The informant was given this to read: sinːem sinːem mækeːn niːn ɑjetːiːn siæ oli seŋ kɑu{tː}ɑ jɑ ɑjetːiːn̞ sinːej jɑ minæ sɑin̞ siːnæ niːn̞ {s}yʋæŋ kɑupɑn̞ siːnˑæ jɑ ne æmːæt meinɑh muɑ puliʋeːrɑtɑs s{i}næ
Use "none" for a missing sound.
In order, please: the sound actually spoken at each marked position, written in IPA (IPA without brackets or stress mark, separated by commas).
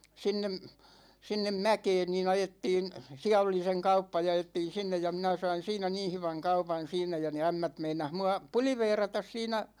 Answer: pː, h, iː